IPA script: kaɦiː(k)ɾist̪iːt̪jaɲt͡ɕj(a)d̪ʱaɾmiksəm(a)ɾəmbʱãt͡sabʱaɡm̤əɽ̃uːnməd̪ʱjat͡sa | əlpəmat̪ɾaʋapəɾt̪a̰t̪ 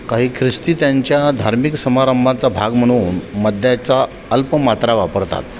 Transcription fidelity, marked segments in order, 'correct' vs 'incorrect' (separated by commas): incorrect, correct, correct